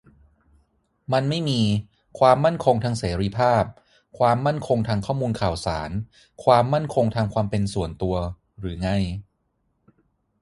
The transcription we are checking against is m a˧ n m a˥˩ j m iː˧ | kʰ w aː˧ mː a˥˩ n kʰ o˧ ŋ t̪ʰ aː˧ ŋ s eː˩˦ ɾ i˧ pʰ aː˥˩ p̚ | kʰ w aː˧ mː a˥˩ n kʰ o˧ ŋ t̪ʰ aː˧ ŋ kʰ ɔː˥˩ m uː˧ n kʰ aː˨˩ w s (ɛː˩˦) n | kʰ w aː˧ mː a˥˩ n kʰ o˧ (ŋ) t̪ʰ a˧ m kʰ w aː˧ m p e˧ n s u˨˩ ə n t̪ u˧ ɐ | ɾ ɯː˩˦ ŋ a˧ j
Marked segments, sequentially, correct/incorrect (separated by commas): incorrect, correct